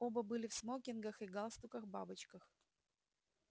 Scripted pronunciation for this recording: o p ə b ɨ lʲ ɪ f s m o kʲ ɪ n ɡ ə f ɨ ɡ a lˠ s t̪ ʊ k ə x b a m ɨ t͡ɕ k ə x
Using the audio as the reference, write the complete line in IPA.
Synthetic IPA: o b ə b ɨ lʲ ɪ f s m o kʲ ɪ n ɡ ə x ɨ ɡ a lˠ s t̪ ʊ k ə x b a b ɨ t͡ɕ k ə x